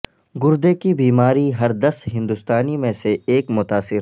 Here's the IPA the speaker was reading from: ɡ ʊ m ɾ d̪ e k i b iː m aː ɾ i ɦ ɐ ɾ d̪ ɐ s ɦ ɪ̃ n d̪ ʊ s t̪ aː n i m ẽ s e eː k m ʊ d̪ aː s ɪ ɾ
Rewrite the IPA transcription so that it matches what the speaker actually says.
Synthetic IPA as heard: ɡ ʊ ɾ d̪ e k i b iː m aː ɾ i ɦ ɐ ɾ d̪ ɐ s ɦ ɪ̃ n d̪ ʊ s t̪ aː n i m ẽ s e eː k m ʊ t̪ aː s ɪ ɾ